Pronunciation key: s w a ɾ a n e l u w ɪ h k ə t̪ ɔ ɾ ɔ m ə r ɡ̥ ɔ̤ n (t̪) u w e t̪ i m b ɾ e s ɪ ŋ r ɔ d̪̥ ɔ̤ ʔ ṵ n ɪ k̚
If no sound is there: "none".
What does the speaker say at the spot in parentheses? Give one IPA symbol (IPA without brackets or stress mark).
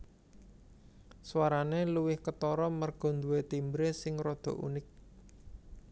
d̪